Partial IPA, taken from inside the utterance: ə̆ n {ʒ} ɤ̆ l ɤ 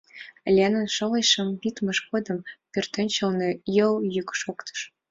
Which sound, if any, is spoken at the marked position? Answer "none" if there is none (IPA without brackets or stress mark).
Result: ʃ